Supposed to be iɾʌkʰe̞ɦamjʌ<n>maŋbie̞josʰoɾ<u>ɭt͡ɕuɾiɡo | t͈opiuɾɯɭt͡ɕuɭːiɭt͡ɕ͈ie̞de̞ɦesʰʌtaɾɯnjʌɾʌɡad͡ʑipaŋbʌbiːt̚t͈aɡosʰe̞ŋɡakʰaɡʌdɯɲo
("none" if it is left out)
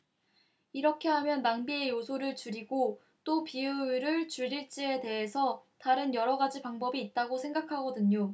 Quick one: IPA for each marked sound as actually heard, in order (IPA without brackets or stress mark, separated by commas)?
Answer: n, ɯ